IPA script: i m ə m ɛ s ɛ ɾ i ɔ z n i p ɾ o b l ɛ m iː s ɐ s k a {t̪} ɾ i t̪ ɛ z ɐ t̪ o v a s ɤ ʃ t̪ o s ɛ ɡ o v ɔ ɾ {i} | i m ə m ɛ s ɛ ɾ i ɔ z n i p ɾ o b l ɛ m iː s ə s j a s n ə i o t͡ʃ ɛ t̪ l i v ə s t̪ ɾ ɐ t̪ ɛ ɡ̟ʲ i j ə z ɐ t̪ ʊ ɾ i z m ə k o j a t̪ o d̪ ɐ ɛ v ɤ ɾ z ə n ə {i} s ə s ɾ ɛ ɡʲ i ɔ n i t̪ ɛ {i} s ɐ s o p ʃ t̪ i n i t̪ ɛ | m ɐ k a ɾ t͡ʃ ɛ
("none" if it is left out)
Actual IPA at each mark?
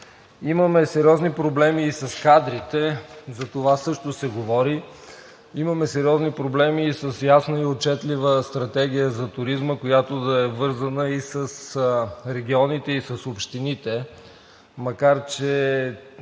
d̪, i, i, i

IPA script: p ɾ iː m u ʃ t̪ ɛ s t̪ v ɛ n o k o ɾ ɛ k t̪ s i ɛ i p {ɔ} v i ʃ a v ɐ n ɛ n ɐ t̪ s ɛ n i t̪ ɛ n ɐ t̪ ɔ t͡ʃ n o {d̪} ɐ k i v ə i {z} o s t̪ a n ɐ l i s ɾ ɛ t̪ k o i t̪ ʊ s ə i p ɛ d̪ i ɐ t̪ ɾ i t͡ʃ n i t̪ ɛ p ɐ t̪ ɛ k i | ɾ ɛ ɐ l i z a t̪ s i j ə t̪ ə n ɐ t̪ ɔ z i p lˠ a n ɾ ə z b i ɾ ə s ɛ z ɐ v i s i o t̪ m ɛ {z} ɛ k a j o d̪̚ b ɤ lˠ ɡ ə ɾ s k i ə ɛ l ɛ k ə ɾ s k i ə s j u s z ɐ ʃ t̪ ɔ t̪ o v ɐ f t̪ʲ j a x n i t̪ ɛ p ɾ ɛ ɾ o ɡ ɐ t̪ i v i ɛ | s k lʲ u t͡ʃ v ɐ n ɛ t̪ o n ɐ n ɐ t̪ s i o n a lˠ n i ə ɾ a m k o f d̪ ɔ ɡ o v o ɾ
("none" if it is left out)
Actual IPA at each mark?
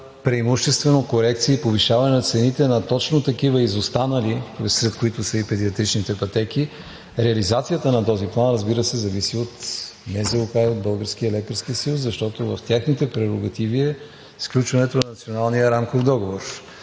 o, t̪, z, z

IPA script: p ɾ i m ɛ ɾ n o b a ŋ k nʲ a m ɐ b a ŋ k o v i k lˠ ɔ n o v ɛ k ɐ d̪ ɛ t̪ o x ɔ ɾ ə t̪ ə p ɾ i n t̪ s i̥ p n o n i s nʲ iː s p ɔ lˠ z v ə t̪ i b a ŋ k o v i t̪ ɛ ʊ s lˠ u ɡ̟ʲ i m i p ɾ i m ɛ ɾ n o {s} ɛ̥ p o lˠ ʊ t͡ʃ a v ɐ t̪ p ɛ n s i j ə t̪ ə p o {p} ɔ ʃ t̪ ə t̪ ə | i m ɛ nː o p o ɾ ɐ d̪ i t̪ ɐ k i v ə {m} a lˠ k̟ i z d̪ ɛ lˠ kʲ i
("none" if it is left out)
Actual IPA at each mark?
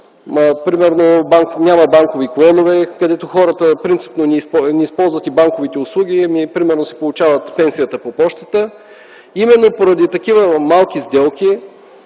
s, p, m

